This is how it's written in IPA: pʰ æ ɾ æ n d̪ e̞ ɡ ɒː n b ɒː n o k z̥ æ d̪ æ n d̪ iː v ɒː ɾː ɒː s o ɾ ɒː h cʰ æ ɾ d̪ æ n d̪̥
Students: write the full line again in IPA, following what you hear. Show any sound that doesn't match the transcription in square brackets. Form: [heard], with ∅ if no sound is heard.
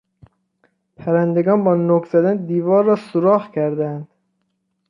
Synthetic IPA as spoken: pʰ æ ɾ æ n d̪ e̞ ɡ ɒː n b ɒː n o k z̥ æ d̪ æ n d̪ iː v ɒː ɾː ɒː s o ɾ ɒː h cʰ æ ɾ d̪ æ n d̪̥